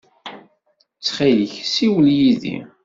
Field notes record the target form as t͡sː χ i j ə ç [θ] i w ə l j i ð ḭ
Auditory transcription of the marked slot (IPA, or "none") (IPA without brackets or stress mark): s